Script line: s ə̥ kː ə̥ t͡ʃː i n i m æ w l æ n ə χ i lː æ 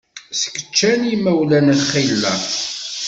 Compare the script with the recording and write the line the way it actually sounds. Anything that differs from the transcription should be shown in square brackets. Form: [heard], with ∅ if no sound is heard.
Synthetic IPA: s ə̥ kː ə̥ t͡ʃː [æ] n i m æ w l æ n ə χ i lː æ